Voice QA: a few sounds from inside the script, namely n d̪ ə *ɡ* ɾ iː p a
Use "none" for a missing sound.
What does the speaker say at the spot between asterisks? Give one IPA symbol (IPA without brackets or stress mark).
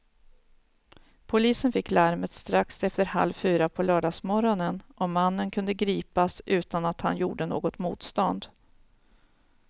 ɡ